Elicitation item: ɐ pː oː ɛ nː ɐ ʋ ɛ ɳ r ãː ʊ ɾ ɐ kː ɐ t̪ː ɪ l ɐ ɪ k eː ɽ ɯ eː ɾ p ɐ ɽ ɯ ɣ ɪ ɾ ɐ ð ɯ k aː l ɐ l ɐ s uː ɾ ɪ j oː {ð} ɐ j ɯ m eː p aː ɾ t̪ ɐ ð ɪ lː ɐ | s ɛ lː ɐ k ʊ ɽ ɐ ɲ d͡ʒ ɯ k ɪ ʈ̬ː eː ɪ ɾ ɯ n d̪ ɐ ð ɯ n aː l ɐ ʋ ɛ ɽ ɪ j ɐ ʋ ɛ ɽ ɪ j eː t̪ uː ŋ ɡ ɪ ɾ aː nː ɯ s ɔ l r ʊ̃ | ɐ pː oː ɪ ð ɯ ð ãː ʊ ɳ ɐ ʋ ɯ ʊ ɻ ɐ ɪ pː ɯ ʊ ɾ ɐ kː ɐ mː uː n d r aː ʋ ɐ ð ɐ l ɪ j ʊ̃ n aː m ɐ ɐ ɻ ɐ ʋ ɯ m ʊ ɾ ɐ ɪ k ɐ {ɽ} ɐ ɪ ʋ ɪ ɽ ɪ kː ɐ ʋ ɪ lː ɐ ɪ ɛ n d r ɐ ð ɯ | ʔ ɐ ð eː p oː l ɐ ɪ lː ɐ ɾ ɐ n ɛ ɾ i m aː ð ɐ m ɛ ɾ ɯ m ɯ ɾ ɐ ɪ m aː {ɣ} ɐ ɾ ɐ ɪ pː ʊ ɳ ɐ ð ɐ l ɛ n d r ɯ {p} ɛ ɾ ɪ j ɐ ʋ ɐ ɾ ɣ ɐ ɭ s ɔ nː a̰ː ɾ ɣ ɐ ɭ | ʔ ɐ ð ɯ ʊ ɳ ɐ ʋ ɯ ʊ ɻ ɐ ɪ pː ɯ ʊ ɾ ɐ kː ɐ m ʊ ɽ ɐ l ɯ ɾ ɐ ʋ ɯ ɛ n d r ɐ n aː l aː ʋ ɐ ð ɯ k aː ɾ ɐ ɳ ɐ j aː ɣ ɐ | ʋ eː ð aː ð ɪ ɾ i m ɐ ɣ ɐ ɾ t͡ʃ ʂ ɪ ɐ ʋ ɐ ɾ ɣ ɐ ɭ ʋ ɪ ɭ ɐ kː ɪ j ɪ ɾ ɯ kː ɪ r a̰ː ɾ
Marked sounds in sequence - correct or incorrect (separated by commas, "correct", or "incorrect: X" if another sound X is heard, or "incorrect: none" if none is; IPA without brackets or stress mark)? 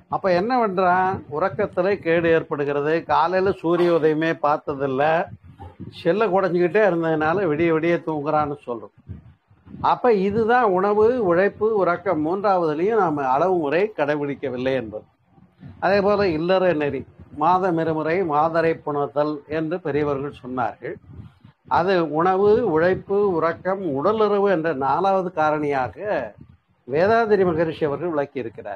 correct, correct, incorrect: ð, correct